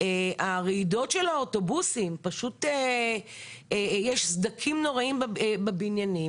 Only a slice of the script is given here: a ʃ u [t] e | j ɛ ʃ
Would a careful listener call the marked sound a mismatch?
no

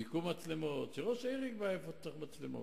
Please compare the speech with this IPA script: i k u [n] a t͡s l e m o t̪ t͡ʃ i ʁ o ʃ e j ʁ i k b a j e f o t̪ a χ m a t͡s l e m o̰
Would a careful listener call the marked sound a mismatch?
yes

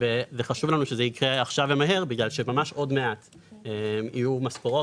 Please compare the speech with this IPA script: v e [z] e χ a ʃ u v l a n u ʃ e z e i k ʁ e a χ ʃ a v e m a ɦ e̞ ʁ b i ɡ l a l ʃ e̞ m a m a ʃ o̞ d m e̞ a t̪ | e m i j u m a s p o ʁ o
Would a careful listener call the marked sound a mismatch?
no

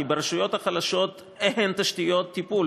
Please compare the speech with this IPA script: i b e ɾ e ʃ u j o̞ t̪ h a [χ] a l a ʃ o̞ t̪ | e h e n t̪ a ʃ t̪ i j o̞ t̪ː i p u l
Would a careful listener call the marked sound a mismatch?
no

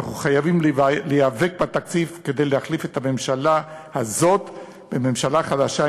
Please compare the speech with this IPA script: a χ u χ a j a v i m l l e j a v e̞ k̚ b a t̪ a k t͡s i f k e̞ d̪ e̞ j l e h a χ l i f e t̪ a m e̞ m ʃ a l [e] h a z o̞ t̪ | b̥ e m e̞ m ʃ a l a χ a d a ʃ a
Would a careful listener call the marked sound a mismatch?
yes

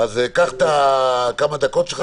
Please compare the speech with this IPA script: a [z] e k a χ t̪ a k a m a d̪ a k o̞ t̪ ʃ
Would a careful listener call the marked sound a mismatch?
no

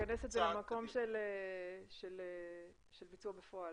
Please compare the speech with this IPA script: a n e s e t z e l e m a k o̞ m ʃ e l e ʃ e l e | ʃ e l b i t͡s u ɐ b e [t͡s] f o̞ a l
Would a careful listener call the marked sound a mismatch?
yes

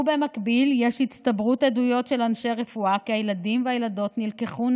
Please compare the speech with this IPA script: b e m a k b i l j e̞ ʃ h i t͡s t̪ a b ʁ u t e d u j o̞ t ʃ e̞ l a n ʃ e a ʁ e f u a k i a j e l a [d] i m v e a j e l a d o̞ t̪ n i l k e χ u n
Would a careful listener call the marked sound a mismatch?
no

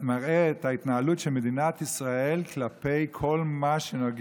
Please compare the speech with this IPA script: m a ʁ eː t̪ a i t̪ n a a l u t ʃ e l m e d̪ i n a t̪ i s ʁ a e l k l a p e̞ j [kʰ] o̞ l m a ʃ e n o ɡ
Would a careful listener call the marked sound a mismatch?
no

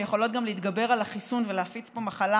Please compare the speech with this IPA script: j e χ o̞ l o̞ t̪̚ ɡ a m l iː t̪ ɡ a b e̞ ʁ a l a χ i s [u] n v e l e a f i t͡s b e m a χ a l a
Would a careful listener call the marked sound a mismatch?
no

